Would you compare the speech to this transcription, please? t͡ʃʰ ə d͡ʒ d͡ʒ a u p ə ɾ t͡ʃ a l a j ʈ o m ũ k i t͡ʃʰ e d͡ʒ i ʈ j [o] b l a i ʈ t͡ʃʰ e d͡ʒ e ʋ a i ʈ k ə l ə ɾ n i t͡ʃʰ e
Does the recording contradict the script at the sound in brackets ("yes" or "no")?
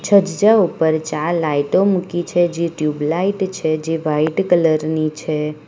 yes